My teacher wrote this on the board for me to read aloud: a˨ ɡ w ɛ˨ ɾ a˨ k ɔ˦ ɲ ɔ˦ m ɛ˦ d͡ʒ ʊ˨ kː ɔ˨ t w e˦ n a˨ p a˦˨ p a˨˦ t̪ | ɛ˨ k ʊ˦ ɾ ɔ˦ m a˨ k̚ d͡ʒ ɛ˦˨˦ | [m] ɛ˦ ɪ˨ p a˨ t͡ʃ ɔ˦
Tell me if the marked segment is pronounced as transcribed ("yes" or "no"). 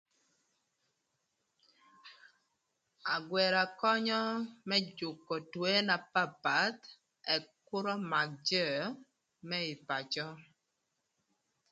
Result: yes